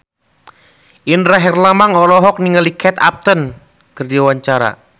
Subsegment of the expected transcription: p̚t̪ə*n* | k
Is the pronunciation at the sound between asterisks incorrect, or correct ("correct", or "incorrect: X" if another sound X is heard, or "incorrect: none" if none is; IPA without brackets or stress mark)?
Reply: correct